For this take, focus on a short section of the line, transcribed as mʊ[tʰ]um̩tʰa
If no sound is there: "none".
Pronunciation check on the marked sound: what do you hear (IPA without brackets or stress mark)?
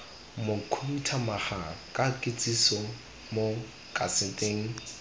kʰ